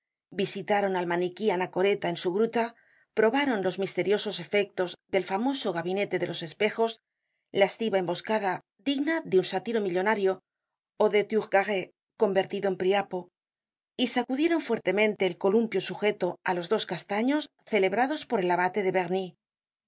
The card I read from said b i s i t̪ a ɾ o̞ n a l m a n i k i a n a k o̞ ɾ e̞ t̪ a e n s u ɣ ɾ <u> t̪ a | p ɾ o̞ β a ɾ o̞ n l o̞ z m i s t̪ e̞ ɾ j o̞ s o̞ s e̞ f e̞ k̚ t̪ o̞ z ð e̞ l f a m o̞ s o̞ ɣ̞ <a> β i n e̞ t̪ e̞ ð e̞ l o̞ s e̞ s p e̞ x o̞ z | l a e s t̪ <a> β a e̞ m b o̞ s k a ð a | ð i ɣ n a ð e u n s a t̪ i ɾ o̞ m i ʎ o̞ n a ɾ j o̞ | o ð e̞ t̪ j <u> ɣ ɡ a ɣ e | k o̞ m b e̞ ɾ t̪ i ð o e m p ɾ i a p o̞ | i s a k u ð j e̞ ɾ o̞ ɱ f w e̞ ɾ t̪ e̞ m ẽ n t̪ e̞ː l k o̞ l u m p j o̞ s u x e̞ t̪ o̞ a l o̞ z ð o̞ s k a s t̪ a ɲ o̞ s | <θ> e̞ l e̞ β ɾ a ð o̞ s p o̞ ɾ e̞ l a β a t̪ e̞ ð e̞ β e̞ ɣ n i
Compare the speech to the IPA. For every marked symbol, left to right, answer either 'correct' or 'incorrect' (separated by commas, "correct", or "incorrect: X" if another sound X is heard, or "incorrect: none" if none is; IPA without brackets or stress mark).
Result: correct, correct, incorrect: i, correct, correct